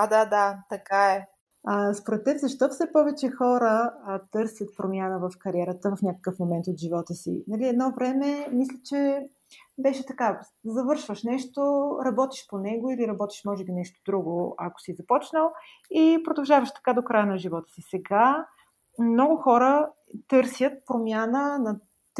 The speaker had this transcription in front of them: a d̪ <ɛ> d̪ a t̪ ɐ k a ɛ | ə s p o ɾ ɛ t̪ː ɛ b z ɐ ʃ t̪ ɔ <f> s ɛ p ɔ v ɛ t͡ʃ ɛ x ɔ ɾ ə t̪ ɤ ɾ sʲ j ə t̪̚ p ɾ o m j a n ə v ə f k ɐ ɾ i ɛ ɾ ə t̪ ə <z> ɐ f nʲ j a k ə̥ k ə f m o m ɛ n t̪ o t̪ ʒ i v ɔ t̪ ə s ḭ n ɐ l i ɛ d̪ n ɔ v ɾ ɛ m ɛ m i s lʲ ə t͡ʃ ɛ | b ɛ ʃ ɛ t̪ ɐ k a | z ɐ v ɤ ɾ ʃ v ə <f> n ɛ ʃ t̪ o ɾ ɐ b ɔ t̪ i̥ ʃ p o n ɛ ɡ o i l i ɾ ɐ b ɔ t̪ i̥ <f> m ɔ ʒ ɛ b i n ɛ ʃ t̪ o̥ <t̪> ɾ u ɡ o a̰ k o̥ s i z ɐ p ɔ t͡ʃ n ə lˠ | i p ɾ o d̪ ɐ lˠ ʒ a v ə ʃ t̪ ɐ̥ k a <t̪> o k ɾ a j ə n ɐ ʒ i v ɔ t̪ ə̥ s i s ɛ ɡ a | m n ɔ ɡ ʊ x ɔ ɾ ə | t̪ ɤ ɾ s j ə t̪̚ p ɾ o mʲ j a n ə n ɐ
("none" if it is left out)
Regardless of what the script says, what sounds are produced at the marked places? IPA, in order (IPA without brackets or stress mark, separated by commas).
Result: a, f, v, ʃ, ʃ, d̪, d̪